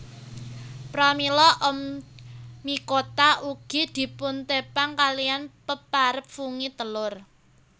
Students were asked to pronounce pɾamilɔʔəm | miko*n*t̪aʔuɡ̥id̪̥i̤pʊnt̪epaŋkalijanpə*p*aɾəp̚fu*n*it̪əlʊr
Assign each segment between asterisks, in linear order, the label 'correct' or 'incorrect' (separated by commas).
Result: incorrect, correct, incorrect